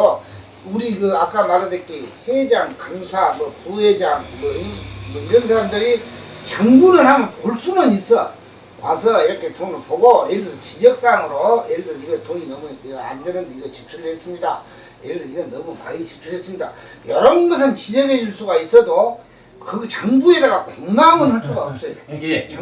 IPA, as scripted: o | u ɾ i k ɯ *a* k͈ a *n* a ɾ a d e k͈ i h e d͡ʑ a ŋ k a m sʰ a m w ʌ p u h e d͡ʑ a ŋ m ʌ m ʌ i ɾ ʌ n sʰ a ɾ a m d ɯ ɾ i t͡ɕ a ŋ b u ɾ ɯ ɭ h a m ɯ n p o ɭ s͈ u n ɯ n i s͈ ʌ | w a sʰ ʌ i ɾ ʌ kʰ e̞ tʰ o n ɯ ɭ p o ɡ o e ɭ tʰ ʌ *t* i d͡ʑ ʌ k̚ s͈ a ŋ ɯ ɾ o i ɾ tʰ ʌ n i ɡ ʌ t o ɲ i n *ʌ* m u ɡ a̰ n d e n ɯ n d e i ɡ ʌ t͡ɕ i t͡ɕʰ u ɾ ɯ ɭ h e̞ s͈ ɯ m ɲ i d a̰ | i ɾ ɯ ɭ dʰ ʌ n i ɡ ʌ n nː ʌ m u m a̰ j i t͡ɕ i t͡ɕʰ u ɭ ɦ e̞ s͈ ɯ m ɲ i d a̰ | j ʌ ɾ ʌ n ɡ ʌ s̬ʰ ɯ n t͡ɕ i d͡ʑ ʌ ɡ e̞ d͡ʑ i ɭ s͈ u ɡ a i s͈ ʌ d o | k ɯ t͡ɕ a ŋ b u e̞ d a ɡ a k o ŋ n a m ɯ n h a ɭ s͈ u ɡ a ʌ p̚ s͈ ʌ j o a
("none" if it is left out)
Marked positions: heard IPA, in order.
a, m, t͡ɕ, ʌ

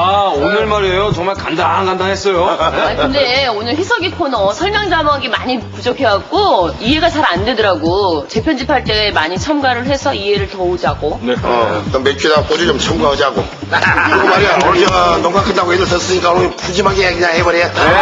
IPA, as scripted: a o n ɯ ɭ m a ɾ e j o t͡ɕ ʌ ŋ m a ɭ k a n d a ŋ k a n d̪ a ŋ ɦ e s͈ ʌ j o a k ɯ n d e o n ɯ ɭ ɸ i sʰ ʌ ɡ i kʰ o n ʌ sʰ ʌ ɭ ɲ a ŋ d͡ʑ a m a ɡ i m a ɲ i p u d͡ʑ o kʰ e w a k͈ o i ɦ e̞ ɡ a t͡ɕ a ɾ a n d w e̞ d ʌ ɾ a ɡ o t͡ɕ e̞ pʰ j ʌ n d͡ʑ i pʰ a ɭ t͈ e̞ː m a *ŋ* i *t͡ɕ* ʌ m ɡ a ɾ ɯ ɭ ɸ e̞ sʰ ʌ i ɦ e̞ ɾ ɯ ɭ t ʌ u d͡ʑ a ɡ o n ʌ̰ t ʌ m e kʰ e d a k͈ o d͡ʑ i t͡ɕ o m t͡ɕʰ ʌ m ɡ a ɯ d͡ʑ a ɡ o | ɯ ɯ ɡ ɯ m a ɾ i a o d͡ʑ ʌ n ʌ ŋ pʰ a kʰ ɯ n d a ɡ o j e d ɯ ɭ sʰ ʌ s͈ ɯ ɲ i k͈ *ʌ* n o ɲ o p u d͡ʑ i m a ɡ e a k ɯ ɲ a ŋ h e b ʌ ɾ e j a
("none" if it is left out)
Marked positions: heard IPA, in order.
ɲ, t͡ɕʰ, a

